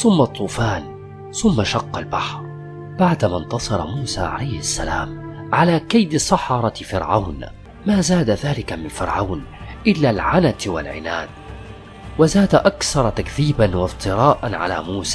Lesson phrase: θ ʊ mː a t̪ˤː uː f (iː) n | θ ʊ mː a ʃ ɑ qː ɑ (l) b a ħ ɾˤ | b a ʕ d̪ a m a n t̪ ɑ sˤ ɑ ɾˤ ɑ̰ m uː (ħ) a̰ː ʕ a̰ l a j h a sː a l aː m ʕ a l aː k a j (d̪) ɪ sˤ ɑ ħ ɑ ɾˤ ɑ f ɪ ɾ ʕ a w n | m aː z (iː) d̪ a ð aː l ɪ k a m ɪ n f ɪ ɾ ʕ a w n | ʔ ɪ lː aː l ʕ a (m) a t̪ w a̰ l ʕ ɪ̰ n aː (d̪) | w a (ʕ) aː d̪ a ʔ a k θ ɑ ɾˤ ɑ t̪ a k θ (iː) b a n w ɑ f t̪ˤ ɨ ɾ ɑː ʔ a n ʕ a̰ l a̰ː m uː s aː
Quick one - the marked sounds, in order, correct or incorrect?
incorrect: aː, correct, incorrect: s, correct, incorrect: aː, incorrect: n, correct, incorrect: z, correct

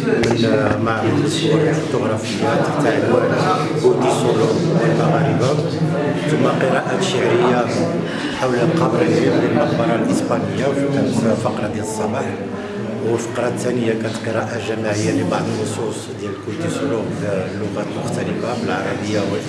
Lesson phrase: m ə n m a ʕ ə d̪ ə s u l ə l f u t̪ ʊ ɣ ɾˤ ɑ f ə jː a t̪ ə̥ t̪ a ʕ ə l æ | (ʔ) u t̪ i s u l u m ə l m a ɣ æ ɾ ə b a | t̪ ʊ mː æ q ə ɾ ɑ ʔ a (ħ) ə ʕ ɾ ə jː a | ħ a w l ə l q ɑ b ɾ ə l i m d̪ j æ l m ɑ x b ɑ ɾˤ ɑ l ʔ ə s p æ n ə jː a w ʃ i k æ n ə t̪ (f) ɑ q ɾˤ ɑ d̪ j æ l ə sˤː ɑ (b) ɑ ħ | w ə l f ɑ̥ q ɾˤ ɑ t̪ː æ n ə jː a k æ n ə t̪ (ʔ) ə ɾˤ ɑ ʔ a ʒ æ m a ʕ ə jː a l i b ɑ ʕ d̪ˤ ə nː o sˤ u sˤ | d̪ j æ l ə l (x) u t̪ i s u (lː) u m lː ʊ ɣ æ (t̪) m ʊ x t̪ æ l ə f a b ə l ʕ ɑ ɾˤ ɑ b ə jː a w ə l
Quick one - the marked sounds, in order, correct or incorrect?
incorrect: k, incorrect: ʃ, correct, correct, incorrect: q, incorrect: k, incorrect: l, correct

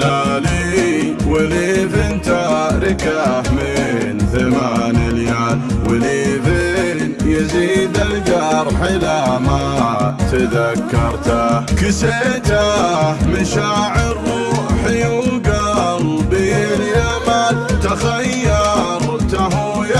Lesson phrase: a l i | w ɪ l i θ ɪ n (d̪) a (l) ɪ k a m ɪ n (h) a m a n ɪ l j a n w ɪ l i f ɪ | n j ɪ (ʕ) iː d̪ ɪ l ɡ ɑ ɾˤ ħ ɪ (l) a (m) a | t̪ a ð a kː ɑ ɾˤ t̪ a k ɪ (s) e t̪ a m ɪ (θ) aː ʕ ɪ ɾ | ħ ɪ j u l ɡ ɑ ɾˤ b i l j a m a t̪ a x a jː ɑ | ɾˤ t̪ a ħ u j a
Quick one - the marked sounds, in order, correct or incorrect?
incorrect: t̪, incorrect: ɾ, incorrect: θ, incorrect: z, correct, correct, correct, incorrect: ʃ

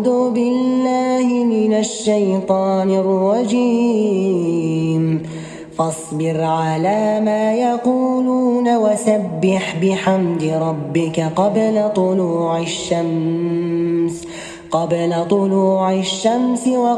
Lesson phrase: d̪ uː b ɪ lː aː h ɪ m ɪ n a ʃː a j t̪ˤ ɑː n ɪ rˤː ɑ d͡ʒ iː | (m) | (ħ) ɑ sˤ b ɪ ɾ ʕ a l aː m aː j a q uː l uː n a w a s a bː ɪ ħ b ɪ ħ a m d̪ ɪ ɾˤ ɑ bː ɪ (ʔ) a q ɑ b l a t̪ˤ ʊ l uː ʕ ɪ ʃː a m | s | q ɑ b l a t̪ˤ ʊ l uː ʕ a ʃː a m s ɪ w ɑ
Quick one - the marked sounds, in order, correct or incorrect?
correct, incorrect: f, incorrect: k

